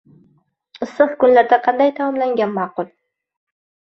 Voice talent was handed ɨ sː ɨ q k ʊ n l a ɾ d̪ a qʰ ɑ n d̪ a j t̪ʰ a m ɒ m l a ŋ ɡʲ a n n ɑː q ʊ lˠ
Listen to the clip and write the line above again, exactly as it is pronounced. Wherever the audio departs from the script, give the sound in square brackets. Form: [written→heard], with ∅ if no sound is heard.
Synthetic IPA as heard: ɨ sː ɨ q k ʊ n l a ɾ d̪ a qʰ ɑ n d̪ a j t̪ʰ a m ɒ m l a ŋ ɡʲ a n [n→m] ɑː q ʊ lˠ